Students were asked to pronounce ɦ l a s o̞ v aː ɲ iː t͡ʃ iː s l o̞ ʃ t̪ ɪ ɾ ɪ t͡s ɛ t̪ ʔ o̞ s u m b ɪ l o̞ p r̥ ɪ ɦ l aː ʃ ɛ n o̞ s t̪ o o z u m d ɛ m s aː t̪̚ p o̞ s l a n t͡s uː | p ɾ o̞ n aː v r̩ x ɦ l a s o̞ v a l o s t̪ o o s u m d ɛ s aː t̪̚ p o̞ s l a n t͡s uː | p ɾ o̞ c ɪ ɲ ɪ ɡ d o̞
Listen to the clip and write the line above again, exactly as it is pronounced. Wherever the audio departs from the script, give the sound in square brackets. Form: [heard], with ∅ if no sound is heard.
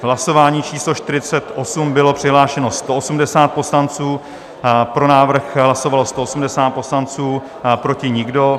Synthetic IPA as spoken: ɦ l a s o̞ v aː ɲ iː t͡ʃ iː s l o̞ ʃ t̪ ɪ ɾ ɪ t͡s ɛ t̪ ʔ o̞ s u m b ɪ l o̞ p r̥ ɪ ɦ l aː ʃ ɛ n o̞ s t̪ o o [s] u m d ɛ [∅] s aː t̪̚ p o̞ s l a n t͡s uː | p ɾ o̞ n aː v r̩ x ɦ l a s o̞ v a l o s t̪ o o s u m d ɛ s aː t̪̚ p o̞ s l a n t͡s uː | p ɾ o̞ c ɪ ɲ ɪ ɡ d o̞

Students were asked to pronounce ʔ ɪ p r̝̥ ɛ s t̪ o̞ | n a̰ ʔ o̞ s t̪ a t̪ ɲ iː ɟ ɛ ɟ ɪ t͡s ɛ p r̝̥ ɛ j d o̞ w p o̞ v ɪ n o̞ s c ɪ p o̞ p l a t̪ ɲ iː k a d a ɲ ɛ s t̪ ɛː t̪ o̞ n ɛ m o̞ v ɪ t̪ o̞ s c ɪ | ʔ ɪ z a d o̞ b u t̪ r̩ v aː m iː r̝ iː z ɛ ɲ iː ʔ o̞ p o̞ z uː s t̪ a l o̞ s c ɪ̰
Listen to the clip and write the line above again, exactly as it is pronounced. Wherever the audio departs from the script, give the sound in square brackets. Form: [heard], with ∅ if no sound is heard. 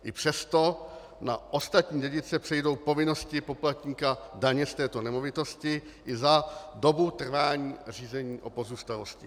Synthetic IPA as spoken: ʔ ɪ p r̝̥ ɛ s t̪ o̞ | n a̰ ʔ o̞ s t̪ a t̪ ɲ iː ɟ ɛ ɟ ɪ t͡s ɛ p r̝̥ ɛ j d o̞ w p o̞ v ɪ n o̞ s c ɪ p o̞ p l a t̪ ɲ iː k a d a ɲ ɛ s t̪ ɛː t̪ o̞ n ɛ m o̞ v ɪ t̪ o̞ s c ɪ | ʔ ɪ z a d o̞ b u t̪ r̩ v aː [ɲ] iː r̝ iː z ɛ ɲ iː ʔ o̞ p o̞ z uː s t̪ a l o̞ s c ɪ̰

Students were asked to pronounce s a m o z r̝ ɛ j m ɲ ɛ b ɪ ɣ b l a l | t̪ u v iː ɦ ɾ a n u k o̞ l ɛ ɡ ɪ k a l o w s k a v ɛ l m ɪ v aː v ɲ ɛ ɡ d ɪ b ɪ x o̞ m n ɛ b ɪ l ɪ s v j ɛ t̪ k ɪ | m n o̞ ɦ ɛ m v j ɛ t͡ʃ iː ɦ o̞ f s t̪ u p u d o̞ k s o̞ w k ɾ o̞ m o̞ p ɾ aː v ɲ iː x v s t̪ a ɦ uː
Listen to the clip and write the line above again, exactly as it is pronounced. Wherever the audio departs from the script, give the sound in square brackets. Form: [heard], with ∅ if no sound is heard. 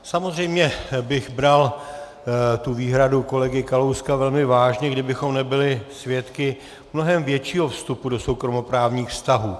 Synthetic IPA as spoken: s a m o z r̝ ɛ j m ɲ ɛ b ɪ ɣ b [ɾ] a l | t̪ u v iː ɦ ɾ a [d] u k o̞ l ɛ ɡ ɪ k a l o w s k a v ɛ l m ɪ v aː [ʒ] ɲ ɛ ɡ d ɪ b ɪ x o̞ m n ɛ b ɪ l ɪ s v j ɛ t̪ k ɪ | m n o̞ ɦ ɛ m v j ɛ t͡ʃ iː ɦ o̞ f s t̪ u p u d o̞ [∅] s o̞ w k ɾ o̞ m o̞ p ɾ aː v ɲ iː x [f] s t̪ a ɦ uː

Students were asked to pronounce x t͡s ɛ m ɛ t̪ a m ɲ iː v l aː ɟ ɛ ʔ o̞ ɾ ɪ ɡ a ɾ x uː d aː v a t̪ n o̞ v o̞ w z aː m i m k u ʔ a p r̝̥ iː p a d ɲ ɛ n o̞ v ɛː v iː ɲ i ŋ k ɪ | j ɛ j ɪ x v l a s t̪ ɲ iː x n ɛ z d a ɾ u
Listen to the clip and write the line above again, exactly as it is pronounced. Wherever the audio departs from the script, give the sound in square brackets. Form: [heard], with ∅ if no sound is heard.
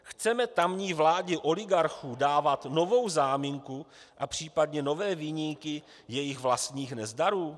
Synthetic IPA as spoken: x t͡s ɛ m ɛ t̪ a m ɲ iː v l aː ɟ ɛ ʔ o̞ [l] ɪ ɡ a ɾ x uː d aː v a t̪ n o̞ v o̞ w z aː m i [ŋ] k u ʔ a p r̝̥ iː p a d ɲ ɛ n o̞ v ɛː v iː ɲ i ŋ k ɪ | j ɛ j ɪ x v l a s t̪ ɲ iː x n ɛ z d a ɾ [uː]

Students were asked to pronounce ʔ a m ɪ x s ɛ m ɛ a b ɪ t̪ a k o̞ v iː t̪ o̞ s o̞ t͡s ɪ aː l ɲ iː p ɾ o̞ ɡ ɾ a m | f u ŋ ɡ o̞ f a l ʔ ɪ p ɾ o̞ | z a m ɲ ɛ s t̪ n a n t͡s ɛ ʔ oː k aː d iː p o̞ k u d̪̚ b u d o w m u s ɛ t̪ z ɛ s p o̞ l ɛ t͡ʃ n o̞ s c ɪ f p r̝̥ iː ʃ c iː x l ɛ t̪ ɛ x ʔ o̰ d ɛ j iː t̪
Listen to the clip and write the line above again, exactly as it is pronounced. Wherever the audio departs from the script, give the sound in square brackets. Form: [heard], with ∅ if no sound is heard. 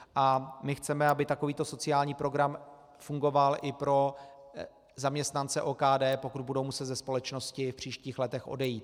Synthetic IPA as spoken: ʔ a m ɪ x [t͡s] ɛ m ɛ a b ɪ t̪ a k o̞ v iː t̪ o̞ s o̞ t͡s ɪ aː l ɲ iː p ɾ o̞ ɡ ɾ a m | f u ŋ ɡ o̞ [v] a l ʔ ɪ p ɾ o̞ | z a m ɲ ɛ s t̪ n a n t͡s ɛ ʔ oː k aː d [ɛː] p o̞ k u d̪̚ b u d o w m u s ɛ t̪ z ɛ s p o̞ l ɛ t͡ʃ n o̞ s c ɪ f p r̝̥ iː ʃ c iː x l ɛ t̪ ɛ x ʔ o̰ d ɛ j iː t̪

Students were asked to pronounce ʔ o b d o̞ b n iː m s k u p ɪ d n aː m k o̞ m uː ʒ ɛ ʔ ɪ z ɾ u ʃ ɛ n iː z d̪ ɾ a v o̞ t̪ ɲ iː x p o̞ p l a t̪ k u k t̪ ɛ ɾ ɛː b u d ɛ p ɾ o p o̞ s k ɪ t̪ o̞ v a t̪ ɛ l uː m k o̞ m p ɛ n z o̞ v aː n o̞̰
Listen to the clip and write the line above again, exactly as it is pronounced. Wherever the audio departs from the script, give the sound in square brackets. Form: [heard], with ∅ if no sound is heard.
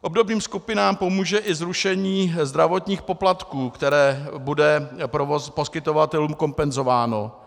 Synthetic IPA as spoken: ʔ o b d o̞ b n iː m s k u p ɪ [∅] n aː m [p] o̞ m uː ʒ ɛ ʔ ɪ z ɾ u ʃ ɛ [ɲ] iː z d̪ ɾ a v o̞ t̪ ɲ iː x p o̞ p l a t̪ k [uː] k t̪ ɛ ɾ ɛː b u d ɛ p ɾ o p o̞ s k ɪ t̪ o̞ v a t̪ ɛ l uː m k o̞ m p ɛ n z o̞ v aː n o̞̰

